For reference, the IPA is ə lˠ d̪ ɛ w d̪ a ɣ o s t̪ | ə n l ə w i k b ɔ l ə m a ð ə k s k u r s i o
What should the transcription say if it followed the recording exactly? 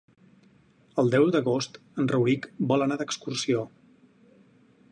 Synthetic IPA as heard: ə lˠ d̪ ɛ w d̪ ə ɣ o s t̪ | ə n r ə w i k b ɔ l ə n a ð ə k s k u r s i o